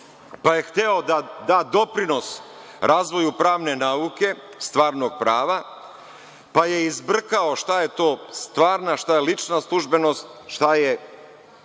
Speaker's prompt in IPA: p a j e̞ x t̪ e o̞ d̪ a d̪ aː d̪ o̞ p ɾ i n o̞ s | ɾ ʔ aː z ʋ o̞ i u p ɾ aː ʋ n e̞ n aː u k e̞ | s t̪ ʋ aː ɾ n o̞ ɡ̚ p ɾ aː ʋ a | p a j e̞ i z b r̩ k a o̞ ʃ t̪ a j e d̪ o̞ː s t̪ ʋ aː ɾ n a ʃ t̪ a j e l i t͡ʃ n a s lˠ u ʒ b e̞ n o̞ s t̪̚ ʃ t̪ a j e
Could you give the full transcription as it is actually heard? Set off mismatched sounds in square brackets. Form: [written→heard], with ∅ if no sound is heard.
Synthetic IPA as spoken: p a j e̞ x t̪ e o̞ d̪ a d̪ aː d̪ o̞ p ɾ i n o̞ s | ɾ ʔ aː z ʋ o̞ [i→j] u p ɾ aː ʋ n e̞ n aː u k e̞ | s t̪ ʋ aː ɾ n o̞ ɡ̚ p ɾ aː ʋ a | p a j e̞ i z b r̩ k a o̞ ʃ t̪ a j e [d̪→t̪] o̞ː s t̪ ʋ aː ɾ n a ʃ t̪ a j e l i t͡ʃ n a s lˠ u ʒ b e̞ n o̞ s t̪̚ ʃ t̪ a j e